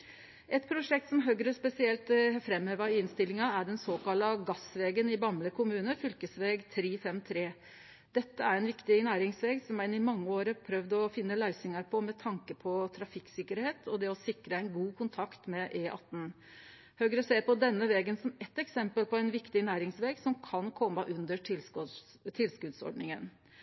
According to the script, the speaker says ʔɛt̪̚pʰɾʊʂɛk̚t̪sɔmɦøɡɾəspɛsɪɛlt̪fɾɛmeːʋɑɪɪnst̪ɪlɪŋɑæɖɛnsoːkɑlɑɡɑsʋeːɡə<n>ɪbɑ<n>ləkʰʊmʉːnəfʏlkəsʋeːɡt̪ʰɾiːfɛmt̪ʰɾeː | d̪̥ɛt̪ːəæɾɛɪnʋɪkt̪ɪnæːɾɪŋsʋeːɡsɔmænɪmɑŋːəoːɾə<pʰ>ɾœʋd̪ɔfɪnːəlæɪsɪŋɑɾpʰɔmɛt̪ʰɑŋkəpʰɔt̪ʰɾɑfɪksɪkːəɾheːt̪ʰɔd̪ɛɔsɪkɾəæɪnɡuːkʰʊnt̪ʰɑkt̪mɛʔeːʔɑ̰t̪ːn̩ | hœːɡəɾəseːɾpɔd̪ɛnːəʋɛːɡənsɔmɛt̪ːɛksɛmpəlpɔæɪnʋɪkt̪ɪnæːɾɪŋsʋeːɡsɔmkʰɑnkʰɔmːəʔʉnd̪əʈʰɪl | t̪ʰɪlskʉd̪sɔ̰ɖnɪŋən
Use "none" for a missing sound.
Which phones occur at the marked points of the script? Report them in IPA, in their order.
n, m, pʰ

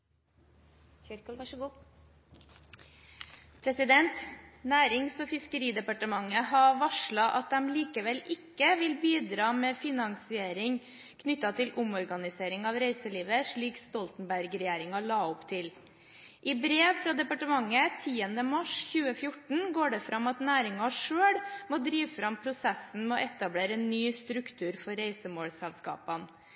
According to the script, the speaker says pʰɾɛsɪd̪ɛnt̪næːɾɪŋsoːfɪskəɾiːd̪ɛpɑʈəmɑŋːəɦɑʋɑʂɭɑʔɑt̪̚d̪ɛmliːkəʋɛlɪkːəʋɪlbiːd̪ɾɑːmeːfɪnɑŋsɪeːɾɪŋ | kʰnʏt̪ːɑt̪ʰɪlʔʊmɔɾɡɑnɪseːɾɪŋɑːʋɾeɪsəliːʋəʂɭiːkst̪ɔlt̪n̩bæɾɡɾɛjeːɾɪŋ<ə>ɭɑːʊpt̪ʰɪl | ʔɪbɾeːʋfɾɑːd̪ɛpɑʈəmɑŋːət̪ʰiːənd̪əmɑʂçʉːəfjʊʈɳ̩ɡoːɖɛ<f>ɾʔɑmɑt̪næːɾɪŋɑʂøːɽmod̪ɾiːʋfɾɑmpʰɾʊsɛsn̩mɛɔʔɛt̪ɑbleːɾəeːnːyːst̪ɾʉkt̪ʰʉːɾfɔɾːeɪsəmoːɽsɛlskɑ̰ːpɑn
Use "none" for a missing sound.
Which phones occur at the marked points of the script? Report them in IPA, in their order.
ɑ, f

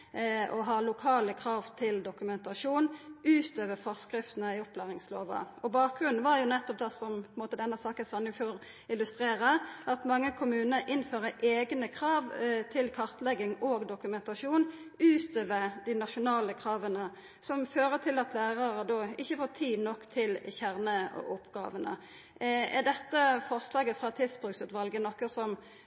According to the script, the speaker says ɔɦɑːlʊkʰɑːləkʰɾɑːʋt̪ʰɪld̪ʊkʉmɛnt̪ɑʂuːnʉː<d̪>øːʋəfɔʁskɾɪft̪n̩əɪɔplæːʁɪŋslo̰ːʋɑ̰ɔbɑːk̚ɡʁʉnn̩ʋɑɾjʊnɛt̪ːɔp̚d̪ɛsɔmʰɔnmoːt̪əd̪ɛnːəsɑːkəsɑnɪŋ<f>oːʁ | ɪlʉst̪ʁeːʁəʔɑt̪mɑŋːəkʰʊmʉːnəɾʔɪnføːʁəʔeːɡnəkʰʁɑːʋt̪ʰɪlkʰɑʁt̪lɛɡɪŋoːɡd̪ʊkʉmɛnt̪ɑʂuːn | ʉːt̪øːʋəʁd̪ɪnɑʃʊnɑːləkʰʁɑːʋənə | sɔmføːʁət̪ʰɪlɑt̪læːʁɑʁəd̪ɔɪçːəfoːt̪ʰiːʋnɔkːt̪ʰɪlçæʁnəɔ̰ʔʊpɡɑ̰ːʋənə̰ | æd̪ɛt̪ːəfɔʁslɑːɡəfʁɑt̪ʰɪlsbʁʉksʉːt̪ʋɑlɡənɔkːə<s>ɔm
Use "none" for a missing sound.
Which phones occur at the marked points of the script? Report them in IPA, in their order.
t̪, f, s

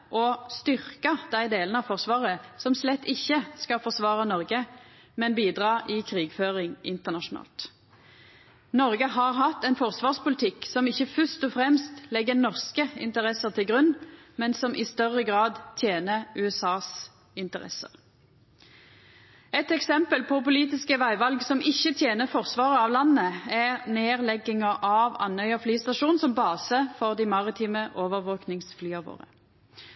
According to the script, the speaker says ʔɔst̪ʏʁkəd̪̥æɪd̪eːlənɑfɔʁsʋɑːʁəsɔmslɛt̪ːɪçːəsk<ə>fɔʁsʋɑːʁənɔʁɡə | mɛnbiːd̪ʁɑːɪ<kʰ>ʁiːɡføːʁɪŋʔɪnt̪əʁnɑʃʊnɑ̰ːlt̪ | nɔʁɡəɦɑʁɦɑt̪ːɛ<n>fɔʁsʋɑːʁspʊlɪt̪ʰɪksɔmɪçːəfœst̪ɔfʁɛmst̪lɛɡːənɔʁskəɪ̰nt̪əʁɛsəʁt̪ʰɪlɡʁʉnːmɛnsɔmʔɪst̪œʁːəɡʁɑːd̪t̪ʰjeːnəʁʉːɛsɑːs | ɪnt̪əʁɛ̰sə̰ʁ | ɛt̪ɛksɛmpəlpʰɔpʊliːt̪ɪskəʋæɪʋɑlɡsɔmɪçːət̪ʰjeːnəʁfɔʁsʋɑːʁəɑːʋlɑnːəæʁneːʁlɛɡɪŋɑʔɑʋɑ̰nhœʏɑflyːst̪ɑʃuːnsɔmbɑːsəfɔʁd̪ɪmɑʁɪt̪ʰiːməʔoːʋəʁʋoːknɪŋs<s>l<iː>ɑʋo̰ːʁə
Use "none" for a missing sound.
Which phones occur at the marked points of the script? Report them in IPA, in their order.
ɑ, kʰ, n, f, yː

